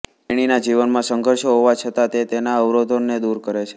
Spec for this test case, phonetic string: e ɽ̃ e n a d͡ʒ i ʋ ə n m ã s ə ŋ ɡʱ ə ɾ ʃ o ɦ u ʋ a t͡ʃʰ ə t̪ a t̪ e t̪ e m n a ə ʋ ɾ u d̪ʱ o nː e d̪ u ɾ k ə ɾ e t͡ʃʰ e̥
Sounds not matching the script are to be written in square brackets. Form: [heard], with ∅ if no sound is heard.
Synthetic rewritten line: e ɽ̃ [i] n a d͡ʒ i ʋ ə n m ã s ə ŋ ɡʱ ə ɾ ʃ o ɦ [o] ʋ a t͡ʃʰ ə t̪ a t̪ e t̪ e [∅] n a ə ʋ ɾ [o] d̪ʱ o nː e d̪ u ɾ k ə ɾ e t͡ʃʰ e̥